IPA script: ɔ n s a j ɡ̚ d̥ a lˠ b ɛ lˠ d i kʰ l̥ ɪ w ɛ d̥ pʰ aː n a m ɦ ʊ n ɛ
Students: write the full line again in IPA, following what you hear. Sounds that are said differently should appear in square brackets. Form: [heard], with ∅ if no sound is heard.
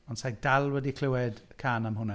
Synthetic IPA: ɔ n s a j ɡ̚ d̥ a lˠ [w] ɛ [∅] d i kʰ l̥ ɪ w ɛ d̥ [kʰ] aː n a m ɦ ʊ n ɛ